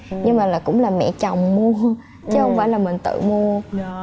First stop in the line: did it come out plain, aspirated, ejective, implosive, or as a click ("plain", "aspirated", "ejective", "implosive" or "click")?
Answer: plain